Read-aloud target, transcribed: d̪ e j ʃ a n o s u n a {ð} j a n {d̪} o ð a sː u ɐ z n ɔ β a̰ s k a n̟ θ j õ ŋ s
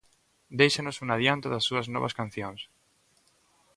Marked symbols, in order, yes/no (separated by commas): yes, no